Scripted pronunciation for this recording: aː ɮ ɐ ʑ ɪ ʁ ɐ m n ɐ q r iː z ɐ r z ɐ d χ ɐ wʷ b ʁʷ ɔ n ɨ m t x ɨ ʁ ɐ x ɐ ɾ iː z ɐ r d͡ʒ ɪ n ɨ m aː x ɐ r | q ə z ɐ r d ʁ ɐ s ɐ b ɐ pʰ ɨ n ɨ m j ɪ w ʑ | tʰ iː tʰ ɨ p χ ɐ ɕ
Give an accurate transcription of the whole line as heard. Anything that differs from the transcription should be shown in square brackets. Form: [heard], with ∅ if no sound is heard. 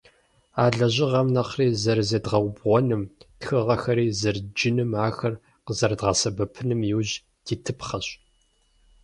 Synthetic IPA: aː ɮ ɐ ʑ ɪ ʁ ɐ m n ɐ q r iː z ɐ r z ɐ d [ʁ] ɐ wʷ b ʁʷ ɔ n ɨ m t x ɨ ʁ ɐ x ɐ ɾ iː z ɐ r d͡ʒ ɪ n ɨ m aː x ɐ r | q ə z ɐ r d ʁ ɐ s ɐ b ɐ pʰ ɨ n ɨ m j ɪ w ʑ | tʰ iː tʰ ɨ p χ ɐ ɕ